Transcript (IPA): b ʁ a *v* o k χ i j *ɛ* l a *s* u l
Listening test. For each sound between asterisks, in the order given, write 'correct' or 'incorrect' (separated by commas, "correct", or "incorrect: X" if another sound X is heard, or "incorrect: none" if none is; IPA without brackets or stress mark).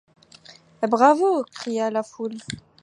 correct, incorrect: a, incorrect: f